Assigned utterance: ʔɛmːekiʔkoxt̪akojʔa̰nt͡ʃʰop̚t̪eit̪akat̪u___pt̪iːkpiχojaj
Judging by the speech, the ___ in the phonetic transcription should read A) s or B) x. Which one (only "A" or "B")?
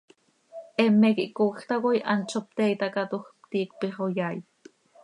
B